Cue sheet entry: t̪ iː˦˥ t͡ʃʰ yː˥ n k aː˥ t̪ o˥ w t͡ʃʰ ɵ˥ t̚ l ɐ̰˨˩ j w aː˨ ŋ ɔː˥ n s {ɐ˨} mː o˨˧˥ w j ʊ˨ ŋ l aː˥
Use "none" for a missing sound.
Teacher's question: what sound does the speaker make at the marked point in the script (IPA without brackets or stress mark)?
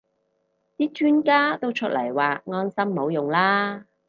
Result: ɐ˥